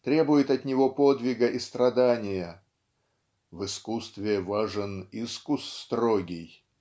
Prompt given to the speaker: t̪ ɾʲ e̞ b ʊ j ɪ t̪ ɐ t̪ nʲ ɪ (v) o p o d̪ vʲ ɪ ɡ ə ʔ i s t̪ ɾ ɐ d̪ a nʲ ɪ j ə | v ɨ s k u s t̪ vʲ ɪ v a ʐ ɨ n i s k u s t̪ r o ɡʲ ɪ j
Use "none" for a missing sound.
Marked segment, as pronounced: v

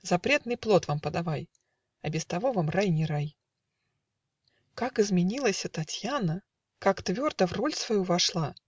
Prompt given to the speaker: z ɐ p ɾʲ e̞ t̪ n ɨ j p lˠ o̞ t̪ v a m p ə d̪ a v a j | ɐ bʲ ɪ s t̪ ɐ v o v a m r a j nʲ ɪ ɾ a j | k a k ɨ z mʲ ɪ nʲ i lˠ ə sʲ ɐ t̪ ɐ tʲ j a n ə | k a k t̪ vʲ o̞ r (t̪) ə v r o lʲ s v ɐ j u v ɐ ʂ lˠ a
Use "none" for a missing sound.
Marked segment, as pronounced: d̪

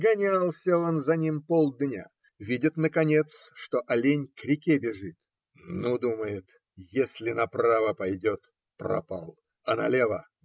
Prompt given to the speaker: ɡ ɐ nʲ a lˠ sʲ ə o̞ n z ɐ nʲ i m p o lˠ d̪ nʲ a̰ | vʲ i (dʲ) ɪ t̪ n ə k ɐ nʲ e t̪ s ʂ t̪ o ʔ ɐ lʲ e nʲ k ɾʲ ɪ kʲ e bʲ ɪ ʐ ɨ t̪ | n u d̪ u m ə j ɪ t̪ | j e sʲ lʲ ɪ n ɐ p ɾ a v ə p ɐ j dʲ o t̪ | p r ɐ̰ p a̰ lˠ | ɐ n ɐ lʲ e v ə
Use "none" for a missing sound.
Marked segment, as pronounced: dʲ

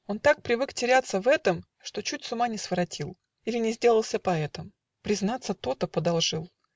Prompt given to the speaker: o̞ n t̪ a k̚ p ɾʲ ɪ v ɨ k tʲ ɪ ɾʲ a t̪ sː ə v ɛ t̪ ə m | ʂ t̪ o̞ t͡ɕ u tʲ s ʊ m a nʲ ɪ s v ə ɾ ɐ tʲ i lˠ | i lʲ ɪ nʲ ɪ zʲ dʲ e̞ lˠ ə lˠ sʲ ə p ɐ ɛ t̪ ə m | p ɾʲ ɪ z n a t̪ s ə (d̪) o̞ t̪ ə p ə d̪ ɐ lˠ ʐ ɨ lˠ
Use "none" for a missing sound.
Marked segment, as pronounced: t̪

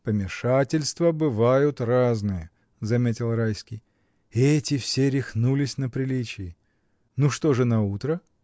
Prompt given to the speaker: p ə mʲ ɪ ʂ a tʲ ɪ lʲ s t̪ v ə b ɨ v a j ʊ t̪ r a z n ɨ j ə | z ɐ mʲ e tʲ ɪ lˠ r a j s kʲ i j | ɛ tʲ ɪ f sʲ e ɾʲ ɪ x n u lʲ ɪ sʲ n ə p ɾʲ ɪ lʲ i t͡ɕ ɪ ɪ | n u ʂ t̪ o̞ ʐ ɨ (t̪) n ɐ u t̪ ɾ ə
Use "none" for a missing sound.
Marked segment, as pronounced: none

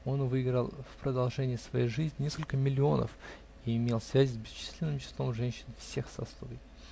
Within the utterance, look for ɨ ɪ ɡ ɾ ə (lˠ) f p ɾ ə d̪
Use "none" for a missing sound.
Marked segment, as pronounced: lˠ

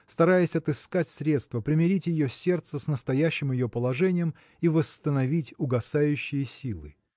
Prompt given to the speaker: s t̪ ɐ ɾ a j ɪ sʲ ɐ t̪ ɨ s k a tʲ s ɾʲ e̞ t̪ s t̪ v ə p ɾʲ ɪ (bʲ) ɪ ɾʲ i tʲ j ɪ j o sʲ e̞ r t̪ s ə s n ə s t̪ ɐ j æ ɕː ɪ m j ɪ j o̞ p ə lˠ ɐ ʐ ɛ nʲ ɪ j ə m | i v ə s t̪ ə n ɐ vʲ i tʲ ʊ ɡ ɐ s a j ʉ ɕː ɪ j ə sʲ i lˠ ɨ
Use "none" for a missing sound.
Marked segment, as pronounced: mʲ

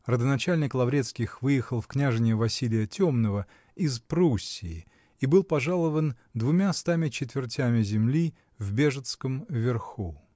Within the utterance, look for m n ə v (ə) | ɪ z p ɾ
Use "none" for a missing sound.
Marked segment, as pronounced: ə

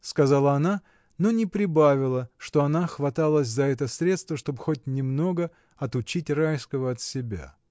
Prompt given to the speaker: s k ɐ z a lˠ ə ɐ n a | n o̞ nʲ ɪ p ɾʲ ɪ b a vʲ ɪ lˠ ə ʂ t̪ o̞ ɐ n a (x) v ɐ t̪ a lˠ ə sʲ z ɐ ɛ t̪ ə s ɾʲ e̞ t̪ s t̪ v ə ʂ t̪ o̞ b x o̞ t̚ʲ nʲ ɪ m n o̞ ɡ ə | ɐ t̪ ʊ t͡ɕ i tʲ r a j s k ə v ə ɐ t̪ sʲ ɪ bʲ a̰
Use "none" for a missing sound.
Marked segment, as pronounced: x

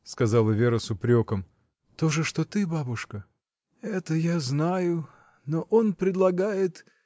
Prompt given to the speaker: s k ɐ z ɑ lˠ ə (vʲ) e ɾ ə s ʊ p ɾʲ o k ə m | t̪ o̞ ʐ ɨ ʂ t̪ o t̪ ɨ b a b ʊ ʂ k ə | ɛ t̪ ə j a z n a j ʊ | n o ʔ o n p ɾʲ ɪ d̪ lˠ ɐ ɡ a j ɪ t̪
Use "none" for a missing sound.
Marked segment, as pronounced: vʲ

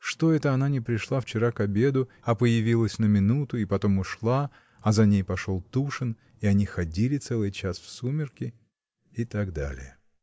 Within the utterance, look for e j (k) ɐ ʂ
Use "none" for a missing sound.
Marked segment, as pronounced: p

